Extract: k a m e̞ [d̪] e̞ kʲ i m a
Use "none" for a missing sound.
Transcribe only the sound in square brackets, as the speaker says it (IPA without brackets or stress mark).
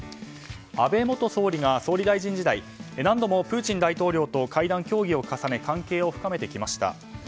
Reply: t̪